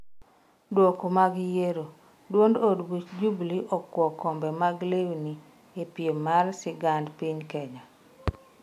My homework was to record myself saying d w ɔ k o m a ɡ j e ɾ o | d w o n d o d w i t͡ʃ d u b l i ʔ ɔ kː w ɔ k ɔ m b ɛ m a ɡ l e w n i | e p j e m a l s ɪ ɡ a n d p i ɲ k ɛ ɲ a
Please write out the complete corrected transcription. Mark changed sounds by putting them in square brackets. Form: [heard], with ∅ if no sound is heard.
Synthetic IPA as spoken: d w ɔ k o m a ɡ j e ɾ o | d w o n d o d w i t͡ʃ [d͡ʒ] u b l i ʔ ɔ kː w ɔ k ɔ m b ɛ m a ɡ l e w n i | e p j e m a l s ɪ ɡ a n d p i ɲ k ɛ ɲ a